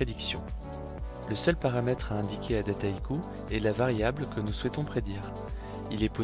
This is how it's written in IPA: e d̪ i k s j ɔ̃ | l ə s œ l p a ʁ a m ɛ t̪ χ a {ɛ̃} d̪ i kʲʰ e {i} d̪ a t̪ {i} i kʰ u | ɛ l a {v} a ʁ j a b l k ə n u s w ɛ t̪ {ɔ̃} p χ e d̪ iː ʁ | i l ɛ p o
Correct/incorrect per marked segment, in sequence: correct, incorrect: a, incorrect: a, correct, correct

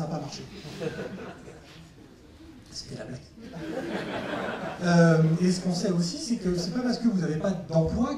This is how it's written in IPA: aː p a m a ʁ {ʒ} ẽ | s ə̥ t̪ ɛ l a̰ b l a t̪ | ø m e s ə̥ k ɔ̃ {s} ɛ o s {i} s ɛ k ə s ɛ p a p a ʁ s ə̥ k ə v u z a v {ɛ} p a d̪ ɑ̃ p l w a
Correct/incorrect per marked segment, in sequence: incorrect: ʃ, correct, correct, incorrect: e

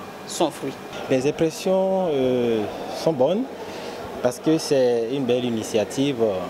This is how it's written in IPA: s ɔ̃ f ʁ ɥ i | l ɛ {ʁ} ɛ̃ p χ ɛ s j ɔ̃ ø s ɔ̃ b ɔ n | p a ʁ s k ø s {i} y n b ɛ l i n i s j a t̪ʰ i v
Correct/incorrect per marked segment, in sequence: incorrect: z, incorrect: ɛ

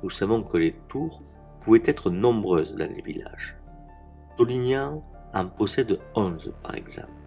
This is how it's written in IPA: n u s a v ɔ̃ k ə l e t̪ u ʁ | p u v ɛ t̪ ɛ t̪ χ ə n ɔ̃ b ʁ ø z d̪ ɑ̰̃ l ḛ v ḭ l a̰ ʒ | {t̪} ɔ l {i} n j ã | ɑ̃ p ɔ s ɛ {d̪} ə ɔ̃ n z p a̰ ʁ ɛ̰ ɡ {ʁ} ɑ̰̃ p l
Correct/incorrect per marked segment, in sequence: correct, correct, correct, incorrect: z

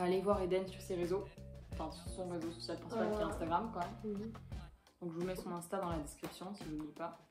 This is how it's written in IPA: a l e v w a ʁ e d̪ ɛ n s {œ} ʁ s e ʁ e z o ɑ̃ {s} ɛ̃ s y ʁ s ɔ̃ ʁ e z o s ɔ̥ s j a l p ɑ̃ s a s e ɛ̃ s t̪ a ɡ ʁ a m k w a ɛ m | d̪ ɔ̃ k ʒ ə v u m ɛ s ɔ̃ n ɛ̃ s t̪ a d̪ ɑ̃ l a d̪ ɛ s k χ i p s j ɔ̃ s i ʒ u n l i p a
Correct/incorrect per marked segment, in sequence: incorrect: y, incorrect: f

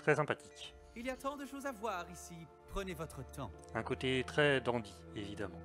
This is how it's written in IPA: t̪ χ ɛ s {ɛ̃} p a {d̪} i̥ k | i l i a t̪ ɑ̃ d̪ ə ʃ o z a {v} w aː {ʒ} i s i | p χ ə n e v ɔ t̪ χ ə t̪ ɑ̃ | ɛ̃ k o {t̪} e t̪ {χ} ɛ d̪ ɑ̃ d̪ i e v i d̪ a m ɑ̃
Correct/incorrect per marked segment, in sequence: correct, incorrect: t̪, correct, incorrect: ʁ, correct, correct

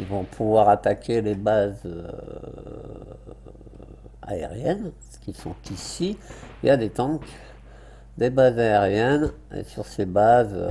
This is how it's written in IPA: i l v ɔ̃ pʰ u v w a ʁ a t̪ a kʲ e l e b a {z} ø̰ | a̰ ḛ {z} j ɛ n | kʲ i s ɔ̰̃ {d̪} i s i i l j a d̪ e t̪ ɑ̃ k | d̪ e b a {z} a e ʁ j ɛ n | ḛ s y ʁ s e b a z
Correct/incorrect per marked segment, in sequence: correct, incorrect: ʁ, incorrect: t̪, correct

